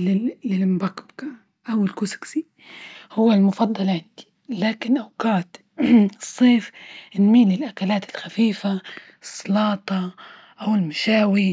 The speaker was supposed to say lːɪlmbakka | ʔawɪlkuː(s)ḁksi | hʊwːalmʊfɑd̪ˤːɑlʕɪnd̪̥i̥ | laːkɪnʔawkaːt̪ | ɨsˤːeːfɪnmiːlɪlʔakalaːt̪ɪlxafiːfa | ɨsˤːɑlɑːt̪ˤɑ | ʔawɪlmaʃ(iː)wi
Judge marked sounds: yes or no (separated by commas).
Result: yes, no